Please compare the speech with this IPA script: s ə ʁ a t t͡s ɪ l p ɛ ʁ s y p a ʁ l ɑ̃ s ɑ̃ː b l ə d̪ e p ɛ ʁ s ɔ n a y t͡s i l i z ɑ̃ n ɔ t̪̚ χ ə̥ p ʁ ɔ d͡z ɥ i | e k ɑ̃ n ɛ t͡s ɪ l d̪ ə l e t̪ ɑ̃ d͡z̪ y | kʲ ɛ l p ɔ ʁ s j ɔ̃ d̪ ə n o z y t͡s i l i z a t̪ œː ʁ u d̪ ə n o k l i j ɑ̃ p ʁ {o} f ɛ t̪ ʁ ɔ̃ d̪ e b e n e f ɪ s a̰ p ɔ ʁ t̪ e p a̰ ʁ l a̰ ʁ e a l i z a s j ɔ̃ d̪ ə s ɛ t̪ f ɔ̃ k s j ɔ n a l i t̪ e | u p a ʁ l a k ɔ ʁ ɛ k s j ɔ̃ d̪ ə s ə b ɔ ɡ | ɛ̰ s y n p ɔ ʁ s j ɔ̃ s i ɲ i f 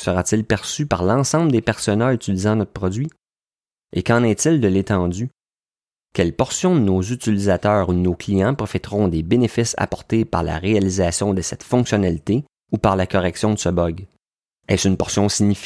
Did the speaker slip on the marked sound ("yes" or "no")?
yes